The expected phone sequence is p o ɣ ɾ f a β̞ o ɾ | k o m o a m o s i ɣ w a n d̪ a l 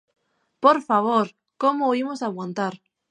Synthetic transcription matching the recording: p o ɾ f a β̞ o ɾ | k o m o i m o s a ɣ w a n t̪ a ɾ